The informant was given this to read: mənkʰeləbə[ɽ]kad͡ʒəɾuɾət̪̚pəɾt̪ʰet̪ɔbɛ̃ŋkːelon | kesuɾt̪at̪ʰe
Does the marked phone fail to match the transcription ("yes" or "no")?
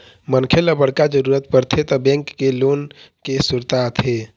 no